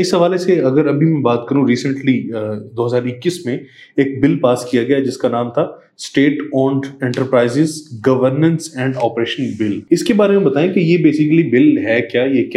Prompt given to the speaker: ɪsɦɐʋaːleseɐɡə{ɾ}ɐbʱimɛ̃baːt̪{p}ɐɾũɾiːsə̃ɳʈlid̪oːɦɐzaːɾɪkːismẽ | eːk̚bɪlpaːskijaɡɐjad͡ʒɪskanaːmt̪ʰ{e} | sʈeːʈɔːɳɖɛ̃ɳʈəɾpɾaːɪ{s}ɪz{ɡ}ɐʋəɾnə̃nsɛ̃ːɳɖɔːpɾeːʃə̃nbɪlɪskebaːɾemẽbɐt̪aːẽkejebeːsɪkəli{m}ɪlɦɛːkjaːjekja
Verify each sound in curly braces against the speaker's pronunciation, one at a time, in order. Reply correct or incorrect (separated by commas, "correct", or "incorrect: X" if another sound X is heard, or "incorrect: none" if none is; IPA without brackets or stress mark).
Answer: correct, incorrect: k, incorrect: a, incorrect: z, correct, incorrect: b